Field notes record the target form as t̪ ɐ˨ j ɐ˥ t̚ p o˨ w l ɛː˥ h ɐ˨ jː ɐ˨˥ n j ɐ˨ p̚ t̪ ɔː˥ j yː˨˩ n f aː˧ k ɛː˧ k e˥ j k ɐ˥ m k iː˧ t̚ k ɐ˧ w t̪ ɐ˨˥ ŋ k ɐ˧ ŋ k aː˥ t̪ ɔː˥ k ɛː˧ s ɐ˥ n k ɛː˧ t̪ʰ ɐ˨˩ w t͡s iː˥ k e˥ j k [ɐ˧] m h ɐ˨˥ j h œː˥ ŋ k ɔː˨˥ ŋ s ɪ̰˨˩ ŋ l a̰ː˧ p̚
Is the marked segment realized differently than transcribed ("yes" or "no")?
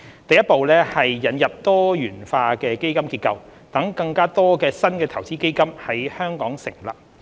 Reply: yes